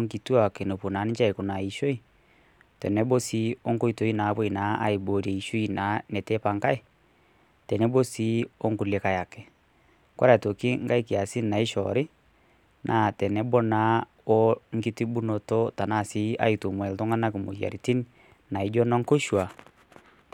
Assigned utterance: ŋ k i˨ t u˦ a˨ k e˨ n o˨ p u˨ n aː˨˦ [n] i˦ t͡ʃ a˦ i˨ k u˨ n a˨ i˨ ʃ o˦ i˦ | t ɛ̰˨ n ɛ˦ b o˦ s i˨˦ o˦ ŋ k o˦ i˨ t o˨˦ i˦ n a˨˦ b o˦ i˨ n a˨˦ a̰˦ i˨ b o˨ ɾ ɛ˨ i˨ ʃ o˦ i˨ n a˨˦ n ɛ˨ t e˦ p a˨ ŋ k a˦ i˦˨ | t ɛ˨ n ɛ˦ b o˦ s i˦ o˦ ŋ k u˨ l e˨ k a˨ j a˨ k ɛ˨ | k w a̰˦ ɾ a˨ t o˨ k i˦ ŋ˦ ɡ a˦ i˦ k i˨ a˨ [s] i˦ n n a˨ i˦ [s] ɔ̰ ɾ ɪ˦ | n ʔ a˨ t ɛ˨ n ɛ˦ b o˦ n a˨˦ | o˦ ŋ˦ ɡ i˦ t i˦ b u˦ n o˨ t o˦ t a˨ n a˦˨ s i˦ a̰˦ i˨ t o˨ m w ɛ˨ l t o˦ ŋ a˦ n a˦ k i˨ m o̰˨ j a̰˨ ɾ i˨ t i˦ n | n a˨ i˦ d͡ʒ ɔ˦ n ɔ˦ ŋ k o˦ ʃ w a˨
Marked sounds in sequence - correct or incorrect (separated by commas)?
correct, correct, incorrect